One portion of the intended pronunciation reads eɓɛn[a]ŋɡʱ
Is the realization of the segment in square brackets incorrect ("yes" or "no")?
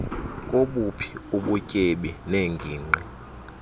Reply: yes